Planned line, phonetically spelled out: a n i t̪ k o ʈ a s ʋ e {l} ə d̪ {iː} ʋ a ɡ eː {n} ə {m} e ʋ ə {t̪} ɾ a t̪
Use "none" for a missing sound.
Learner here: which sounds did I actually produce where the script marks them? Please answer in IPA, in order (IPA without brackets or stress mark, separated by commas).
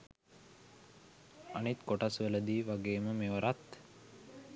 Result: l, iː, m, m, none